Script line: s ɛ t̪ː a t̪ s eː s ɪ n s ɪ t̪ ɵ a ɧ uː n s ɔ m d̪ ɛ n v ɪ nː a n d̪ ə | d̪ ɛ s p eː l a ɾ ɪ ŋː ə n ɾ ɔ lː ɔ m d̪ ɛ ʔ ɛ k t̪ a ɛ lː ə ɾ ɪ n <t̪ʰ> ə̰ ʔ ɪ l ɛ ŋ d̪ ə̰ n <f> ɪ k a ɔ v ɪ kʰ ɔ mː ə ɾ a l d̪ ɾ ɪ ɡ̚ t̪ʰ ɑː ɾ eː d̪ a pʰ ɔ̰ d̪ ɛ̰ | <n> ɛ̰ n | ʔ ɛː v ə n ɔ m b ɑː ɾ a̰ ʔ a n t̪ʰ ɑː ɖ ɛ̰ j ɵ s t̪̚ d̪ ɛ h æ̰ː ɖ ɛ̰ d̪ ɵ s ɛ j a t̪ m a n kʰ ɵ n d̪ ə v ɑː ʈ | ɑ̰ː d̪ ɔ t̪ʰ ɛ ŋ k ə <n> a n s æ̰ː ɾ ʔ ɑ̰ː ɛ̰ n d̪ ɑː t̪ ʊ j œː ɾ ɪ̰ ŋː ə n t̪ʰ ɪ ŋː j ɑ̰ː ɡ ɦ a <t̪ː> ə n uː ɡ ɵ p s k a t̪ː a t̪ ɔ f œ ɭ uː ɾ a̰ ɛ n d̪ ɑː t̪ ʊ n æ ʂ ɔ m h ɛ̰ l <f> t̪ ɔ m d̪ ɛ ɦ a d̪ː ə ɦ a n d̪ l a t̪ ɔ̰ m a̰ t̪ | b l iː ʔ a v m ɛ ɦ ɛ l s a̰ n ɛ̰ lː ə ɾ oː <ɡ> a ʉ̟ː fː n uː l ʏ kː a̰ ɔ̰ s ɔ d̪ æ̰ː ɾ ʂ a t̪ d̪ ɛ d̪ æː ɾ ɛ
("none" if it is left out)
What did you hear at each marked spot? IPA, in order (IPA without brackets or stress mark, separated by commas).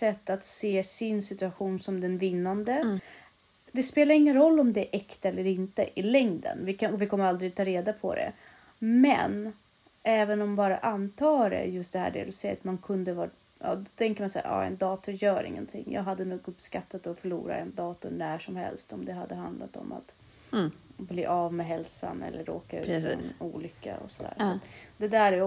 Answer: t̪, v, m, m, d̪ː, s, k